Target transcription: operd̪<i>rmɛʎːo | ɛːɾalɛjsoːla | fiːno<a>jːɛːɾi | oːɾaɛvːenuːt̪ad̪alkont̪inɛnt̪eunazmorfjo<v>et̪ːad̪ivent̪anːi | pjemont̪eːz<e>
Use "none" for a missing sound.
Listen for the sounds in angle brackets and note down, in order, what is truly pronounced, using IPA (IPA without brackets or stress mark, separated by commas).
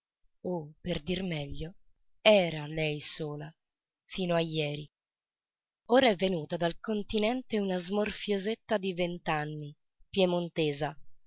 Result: i, a, z, a